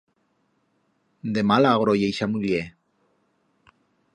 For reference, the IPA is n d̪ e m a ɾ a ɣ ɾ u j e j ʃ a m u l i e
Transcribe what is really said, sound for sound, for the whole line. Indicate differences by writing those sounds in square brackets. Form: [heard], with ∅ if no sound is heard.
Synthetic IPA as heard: n d̪ e m a [l] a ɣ ɾ [o] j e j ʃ a m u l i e

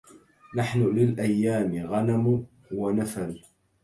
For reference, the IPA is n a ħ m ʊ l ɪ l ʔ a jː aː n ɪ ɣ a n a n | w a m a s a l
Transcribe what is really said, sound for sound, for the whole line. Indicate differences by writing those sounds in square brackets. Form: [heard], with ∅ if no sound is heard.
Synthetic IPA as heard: n a ħ [n] ʊ l ɪ l ʔ a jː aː [m] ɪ ɣ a n a [m] | w a [n] a [f] a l

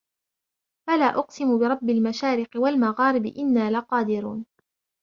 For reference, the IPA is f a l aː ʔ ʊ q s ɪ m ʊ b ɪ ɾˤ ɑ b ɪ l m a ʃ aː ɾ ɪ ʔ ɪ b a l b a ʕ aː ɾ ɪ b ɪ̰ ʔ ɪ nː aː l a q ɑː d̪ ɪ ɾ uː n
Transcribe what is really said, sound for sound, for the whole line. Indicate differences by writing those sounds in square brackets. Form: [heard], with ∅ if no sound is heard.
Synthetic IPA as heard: f a l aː ʔ ʊ q s ɪ m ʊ b ɪ ɾˤ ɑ [bː] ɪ l m a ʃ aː ɾ ɪ [q] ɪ [w] a l [m] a [ɣ] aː ɾ ɪ b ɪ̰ ʔ ɪ nː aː l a q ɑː d̪ ɪ ɾ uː n

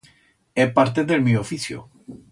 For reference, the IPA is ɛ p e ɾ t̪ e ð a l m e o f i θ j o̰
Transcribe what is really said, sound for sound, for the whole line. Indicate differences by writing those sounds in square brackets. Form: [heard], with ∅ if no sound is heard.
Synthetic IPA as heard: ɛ p [a] ɾ t̪ e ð [e] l m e o f i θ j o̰

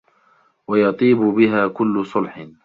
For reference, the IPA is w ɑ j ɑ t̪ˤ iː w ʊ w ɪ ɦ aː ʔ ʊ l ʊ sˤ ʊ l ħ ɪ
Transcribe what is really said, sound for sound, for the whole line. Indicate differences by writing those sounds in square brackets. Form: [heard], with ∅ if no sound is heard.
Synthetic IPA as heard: w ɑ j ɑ t̪ˤ iː [b] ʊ [b] ɪ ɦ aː [k] ʊ [lː] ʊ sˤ ʊ l ħ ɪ

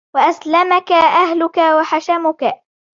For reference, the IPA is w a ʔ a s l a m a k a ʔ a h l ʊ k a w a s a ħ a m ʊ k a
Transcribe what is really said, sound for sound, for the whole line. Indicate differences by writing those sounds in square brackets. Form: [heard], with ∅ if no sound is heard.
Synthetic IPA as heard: w a ʔ a s l a m a k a ʔ a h l ʊ k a w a [ħ] a [ʃ] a m ʊ k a

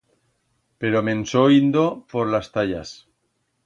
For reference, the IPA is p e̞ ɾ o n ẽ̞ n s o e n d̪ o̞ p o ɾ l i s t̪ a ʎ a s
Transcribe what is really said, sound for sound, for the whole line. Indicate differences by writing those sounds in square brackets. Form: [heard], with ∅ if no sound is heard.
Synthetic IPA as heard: p e̞ ɾ o [m] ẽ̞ n s o [i] n d̪ o̞ p o ɾ l [a] s t̪ a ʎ a s

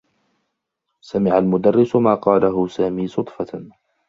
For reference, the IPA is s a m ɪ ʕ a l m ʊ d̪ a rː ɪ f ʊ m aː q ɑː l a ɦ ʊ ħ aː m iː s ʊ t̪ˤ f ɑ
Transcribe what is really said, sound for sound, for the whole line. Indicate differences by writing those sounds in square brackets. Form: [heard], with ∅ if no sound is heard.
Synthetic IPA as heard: s a m ɪ ʕ a l m ʊ d̪ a rː ɪ [s] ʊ m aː q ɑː l a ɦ ʊ [s] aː m iː s ʊ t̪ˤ f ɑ

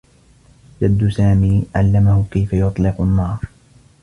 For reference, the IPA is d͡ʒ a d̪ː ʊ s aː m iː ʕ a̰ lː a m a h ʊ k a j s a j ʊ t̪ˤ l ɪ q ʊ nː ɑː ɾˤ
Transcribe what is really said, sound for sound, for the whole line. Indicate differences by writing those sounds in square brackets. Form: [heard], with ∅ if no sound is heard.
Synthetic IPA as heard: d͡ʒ a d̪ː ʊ s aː m iː ʕ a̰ lː a m a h ʊ k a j [f] a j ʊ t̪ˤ l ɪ q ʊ nː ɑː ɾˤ

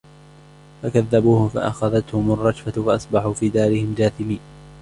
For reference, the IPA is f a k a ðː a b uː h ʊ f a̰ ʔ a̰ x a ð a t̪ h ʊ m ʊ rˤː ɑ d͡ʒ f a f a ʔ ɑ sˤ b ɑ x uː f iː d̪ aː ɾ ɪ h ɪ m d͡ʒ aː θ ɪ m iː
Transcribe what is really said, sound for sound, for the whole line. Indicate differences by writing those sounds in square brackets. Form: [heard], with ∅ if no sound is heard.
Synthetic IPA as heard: f a k a ðː a b uː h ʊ f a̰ ʔ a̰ x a ð a t̪ h ʊ m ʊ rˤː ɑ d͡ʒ f a f a ʔ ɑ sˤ b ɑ [ħ] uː f iː d̪ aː ɾ ɪ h ɪ m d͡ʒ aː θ ɪ m iː

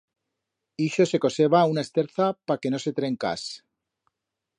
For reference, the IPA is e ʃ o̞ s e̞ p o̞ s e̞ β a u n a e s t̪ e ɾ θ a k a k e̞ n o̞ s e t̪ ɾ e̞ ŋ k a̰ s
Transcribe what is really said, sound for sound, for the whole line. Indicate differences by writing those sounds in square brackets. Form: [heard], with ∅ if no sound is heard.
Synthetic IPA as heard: [i] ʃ o̞ s e̞ [k] o̞ s e̞ β a u n a e s t̪ e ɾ θ a [p] a k e̞ n o̞ s e t̪ ɾ e̞ ŋ k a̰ s

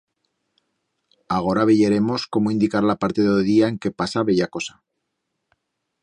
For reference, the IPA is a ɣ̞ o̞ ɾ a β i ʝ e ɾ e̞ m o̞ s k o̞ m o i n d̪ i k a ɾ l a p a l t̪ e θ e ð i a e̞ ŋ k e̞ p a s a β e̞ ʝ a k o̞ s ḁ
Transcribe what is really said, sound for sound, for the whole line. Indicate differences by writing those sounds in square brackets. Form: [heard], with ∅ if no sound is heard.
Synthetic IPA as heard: a ɣ̞ o̞ ɾ a β [e] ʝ e ɾ e̞ m o̞ s k o̞ m o i n d̪ i k a ɾ l a p a [ɾ] t̪ e [ð] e ð i a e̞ ŋ k e̞ p a s a β e̞ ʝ a k o̞ s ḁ

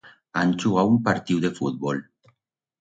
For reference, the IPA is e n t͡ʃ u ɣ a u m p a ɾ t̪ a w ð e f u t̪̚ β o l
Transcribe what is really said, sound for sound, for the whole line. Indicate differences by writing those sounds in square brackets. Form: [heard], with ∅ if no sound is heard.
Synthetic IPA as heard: [a] n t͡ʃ u ɣ a u m p a ɾ t̪ [i] w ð e f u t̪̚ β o l

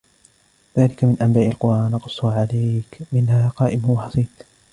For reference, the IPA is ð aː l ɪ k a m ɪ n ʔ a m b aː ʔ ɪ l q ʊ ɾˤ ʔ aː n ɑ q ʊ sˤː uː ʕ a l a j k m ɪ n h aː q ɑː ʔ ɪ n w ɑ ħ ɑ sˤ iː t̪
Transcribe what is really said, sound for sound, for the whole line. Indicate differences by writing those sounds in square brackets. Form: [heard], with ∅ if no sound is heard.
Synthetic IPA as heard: ð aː l ɪ k a m ɪ n ʔ a m b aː ʔ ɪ l q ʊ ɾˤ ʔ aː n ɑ q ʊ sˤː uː ʕ a l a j k m ɪ n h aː q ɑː ʔ ɪ [m] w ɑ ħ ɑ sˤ iː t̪

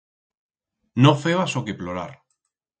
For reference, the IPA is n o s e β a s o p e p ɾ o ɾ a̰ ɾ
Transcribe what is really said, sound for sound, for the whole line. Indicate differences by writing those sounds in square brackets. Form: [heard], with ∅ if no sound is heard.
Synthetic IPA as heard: n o [f] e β a s o [k] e p [l] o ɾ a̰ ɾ

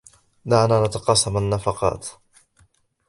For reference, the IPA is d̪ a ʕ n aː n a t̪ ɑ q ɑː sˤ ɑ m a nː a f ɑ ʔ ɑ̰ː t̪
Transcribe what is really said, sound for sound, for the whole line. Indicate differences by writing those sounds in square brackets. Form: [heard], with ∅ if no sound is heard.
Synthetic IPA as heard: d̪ a ʕ n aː n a t̪ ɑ q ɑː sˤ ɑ m a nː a f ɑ [q] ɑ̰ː t̪

